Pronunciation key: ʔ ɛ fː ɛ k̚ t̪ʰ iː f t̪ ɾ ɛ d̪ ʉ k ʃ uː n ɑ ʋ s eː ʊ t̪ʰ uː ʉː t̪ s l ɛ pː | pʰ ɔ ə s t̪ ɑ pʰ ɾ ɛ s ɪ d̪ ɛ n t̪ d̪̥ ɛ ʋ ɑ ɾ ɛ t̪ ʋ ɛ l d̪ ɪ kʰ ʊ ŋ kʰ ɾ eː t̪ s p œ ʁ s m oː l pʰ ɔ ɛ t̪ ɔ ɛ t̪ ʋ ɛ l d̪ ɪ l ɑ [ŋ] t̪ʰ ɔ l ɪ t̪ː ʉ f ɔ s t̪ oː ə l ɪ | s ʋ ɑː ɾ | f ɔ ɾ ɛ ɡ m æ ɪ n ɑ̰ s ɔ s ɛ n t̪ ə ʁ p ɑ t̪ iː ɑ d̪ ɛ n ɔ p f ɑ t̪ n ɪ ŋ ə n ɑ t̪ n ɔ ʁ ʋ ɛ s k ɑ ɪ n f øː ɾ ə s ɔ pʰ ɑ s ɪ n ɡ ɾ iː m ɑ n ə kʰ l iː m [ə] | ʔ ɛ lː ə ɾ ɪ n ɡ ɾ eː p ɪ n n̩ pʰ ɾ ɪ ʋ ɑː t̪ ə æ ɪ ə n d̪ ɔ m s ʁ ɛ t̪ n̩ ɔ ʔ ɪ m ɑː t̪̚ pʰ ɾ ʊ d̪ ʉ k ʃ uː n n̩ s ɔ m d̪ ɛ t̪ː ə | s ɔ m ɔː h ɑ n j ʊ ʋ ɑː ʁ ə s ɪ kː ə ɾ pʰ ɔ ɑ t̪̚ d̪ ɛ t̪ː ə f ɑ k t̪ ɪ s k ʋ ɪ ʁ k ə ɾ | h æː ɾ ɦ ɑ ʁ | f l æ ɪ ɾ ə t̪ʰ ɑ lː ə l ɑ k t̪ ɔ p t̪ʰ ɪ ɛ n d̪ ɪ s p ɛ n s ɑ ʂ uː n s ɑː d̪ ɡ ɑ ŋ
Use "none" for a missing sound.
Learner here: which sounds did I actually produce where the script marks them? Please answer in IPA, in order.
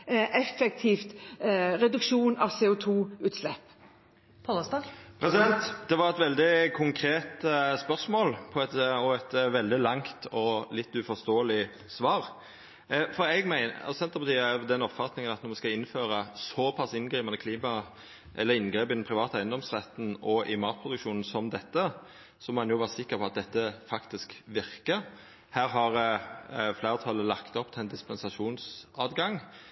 ŋ, ɑ

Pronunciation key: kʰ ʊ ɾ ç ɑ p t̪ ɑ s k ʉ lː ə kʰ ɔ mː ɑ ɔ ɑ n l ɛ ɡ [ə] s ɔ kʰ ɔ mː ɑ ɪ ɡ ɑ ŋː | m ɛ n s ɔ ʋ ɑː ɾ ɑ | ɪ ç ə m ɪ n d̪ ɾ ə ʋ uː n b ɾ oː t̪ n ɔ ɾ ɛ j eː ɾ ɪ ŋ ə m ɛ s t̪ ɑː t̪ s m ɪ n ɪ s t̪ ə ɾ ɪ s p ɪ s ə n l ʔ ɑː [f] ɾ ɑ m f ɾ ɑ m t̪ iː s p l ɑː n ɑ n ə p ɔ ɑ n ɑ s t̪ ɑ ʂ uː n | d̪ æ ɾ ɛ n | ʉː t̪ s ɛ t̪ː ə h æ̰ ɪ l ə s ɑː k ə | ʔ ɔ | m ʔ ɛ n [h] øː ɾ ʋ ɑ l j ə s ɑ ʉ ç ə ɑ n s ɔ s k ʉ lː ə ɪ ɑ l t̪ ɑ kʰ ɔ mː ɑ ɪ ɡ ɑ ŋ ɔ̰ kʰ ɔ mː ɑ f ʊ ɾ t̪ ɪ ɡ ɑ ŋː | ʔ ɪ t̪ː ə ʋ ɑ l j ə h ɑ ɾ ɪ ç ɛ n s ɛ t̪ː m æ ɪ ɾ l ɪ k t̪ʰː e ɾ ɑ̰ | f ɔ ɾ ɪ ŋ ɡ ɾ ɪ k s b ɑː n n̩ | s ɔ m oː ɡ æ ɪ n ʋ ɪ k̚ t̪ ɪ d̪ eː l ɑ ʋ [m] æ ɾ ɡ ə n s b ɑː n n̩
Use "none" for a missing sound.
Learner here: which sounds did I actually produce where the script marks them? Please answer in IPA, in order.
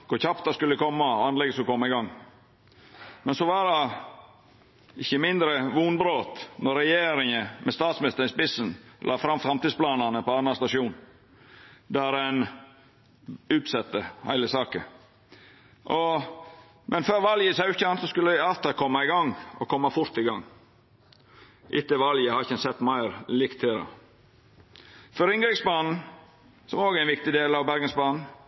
ə, f, f, b

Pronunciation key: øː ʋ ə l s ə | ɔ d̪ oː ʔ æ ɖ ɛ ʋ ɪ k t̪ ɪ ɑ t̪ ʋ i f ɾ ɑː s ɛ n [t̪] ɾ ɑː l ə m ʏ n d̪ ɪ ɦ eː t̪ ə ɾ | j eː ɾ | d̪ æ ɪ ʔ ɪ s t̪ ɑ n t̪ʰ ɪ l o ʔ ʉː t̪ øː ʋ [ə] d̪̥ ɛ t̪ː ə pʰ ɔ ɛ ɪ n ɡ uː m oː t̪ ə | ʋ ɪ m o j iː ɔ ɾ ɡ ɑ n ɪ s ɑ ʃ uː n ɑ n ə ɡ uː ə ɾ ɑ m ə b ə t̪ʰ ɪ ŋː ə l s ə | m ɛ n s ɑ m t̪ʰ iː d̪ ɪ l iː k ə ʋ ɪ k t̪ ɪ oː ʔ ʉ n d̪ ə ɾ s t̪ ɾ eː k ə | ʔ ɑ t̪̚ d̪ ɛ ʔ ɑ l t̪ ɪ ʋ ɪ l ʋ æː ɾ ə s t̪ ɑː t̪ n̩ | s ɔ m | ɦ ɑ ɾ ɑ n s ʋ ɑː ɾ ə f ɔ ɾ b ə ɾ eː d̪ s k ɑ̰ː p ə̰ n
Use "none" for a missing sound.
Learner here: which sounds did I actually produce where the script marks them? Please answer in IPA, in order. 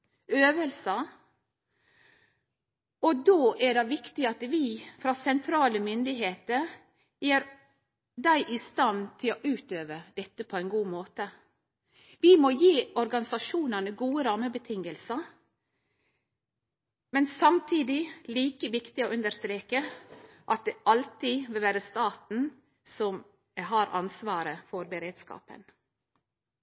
t̪ʰ, ə

